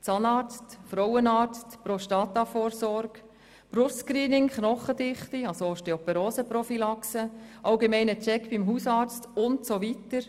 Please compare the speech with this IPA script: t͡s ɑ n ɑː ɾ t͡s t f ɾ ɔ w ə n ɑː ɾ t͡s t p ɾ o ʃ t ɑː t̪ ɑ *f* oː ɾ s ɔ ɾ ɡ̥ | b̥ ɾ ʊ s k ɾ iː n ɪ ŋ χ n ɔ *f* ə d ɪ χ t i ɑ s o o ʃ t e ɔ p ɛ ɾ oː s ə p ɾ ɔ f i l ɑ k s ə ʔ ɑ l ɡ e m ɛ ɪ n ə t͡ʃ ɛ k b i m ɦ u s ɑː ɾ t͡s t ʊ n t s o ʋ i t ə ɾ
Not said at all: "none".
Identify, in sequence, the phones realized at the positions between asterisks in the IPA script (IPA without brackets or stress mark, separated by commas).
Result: f, χ